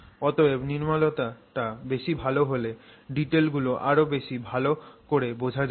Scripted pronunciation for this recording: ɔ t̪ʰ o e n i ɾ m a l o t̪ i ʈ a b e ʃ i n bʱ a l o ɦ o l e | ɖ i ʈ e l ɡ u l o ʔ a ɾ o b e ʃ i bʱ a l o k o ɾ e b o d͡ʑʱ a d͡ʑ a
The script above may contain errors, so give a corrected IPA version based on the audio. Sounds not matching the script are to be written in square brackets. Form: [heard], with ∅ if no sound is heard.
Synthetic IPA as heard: ɔ [t̪] o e n i ɾ m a l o t̪ [a] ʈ a b e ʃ i [∅] bʱ a l o ɦ o l e | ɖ i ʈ e l ɡ u l o ʔ a ɾ o b e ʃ i bʱ a l o k o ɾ e b o d͡ʑʱ a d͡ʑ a